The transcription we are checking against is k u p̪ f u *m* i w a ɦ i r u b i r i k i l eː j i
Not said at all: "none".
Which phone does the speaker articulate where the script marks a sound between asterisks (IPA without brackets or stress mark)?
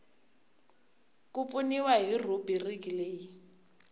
n